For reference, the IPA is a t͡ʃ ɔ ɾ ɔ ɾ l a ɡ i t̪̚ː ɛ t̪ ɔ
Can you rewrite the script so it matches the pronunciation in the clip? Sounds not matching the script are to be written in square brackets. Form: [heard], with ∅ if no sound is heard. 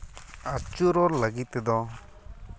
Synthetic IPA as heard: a t͡ʃ [u] ɾ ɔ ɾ l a ɡ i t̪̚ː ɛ [d̪] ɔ